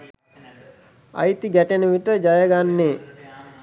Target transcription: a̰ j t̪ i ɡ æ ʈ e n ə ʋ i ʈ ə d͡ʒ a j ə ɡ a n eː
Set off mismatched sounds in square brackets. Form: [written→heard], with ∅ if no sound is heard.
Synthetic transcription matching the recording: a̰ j t̪ i ɡ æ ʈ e n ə ʋ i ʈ ə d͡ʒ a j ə ɡ a [n→nː] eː